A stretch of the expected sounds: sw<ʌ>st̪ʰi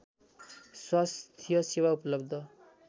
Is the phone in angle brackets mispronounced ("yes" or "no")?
yes